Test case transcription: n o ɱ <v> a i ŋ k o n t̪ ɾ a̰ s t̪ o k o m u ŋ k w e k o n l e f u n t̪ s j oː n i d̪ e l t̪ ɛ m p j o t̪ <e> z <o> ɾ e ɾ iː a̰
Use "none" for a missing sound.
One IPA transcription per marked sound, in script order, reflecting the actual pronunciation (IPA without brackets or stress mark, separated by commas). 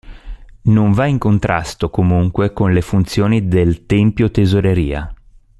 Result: v, e, o